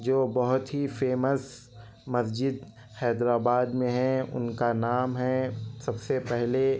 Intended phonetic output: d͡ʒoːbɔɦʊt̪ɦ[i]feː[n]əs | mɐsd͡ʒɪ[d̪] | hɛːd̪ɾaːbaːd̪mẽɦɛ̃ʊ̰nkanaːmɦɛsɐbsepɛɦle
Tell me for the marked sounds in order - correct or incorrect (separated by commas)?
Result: correct, incorrect, correct